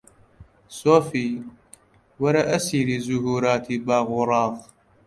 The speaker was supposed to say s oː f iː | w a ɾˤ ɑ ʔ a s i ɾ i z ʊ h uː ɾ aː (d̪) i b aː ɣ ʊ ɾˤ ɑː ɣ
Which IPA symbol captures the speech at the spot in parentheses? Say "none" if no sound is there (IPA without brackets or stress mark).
t̪